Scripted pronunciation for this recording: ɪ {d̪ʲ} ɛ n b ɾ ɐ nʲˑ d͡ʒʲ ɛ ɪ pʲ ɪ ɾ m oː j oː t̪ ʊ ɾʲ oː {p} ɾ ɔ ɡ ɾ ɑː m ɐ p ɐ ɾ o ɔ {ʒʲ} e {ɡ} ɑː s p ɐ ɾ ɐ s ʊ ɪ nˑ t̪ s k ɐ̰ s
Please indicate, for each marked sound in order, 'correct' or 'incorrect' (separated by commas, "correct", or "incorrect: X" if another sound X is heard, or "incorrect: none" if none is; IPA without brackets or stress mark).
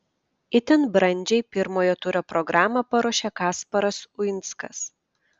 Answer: incorrect: t̪ʲ, correct, incorrect: ʃʲ, incorrect: k